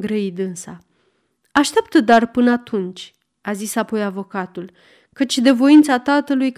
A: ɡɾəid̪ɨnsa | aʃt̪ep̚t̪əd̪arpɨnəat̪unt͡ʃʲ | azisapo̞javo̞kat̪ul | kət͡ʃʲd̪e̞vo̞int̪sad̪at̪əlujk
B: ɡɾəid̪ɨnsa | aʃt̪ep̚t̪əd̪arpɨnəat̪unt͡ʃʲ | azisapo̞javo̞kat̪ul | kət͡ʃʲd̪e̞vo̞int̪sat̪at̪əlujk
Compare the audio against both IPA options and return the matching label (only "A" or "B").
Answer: B